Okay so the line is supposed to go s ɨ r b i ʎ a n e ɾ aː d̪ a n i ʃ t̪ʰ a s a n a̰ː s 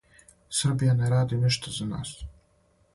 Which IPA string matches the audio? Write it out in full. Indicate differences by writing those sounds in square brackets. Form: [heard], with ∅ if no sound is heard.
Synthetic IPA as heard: s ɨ r b i [j] a n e ɾ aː d̪ [i] n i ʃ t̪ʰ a [z] a n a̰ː s